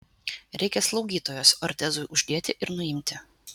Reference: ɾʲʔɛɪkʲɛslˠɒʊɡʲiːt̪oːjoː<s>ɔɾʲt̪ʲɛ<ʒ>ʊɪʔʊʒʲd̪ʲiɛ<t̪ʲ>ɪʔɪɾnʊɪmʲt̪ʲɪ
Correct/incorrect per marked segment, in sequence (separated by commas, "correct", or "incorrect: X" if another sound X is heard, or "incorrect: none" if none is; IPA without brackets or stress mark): correct, incorrect: z, correct